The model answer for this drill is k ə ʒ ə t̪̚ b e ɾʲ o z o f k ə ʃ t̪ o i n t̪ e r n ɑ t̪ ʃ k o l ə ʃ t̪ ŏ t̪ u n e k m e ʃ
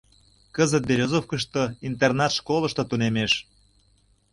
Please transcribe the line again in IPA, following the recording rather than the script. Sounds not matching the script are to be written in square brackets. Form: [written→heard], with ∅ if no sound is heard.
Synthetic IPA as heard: k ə [ʒ→z] ə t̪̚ b e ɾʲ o z o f k ə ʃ t̪ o i n t̪ e r n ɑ t̪ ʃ k o l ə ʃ t̪ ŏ t̪ u n e [k→∅] m e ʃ